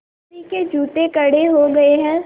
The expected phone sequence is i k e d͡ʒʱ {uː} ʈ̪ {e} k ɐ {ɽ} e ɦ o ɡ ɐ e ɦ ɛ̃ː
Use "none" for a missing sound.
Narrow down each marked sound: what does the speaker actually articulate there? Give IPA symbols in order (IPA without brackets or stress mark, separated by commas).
uː, e, ɽ